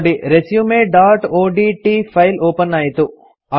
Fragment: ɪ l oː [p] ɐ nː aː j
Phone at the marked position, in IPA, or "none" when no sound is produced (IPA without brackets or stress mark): p